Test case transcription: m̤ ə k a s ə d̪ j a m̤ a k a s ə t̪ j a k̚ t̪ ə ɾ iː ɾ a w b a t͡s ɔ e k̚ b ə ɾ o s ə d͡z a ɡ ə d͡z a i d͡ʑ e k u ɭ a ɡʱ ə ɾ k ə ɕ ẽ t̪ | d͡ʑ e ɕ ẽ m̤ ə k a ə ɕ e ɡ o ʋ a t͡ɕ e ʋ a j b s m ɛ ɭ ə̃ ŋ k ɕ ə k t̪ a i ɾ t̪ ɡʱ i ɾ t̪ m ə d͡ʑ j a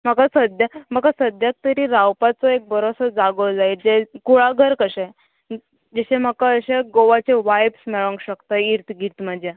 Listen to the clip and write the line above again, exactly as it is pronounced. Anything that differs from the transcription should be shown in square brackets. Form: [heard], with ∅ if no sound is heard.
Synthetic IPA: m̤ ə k a s ə d̪ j a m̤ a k a s ə [d̪] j a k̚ t̪ ə ɾ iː ɾ a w [p] a t͡s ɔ e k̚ b ə ɾ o s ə d͡z a ɡ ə d͡z a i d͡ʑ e k u ɭ a ɡʱ ə ɾ k ə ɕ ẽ [∅] | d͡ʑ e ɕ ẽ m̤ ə k a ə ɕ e ɡ o ʋ a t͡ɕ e ʋ a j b s m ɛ ɭ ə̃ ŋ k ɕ ə k t̪ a i ɾ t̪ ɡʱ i ɾ t̪ m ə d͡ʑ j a